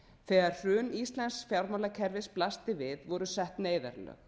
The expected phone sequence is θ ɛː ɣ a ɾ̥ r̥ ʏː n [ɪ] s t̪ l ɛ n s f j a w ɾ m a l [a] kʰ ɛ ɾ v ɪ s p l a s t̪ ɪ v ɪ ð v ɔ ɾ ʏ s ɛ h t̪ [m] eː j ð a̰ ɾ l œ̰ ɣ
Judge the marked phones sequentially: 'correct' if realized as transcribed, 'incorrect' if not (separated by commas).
incorrect, correct, incorrect